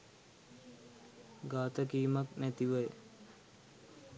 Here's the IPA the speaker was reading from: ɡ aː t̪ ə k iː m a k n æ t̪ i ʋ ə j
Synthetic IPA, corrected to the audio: ɡ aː t̪ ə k iː m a k n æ t̪ i ʋ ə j